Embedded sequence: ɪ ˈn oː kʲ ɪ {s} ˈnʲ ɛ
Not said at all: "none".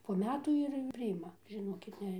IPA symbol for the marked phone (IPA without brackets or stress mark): t